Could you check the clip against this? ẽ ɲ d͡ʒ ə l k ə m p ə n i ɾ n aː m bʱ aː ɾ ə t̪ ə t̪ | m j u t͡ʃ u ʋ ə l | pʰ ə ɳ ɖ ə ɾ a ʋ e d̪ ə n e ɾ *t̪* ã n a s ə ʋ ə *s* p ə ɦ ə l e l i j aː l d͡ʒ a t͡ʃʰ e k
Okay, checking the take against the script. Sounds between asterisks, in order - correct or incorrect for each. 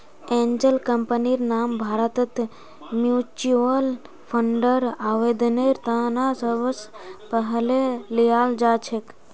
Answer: correct, correct

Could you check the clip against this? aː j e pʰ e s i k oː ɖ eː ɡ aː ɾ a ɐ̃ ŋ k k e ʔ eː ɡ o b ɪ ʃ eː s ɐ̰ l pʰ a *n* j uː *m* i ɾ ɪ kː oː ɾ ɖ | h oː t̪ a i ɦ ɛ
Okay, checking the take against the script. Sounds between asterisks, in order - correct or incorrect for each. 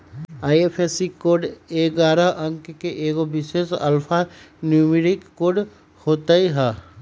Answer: correct, correct

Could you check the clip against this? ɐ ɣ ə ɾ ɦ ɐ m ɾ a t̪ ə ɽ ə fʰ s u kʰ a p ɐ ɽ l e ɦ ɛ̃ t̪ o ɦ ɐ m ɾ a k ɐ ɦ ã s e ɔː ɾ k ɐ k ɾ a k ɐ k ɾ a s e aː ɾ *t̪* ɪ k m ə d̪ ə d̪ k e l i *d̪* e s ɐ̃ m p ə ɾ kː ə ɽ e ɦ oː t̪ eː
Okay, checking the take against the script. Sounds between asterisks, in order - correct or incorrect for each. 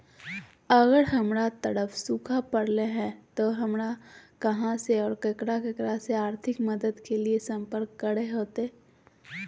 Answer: incorrect: t̪ʰ, incorrect: none

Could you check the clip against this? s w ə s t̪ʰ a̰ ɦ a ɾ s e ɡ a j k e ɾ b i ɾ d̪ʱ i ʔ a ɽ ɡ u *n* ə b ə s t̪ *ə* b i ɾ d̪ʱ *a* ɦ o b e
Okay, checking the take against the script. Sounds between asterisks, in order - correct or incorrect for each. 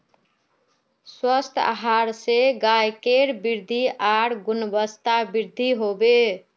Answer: correct, incorrect: a, incorrect: i

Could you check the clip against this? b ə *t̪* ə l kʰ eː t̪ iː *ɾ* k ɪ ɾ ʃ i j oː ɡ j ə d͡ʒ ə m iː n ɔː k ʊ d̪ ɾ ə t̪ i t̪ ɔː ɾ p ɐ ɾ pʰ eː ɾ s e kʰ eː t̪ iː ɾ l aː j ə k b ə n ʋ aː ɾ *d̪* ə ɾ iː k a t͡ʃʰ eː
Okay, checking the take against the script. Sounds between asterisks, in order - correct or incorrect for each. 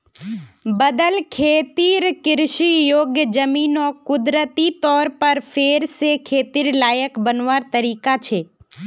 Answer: incorrect: d̪, correct, incorrect: t̪

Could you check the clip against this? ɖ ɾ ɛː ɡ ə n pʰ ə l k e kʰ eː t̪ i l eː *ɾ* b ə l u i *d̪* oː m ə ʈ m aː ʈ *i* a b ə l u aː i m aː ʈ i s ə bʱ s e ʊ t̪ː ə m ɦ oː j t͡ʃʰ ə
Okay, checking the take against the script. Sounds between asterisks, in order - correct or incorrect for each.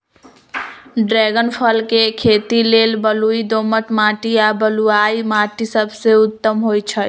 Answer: incorrect: l, correct, correct

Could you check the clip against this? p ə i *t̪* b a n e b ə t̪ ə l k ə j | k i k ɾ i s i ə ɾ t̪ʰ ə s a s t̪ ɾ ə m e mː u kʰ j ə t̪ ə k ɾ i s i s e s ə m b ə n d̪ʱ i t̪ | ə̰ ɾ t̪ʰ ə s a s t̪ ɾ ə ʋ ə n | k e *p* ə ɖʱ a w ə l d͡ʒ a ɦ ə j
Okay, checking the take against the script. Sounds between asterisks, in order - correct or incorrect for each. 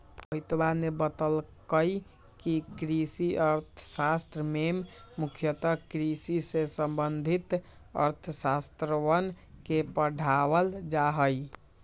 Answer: correct, correct

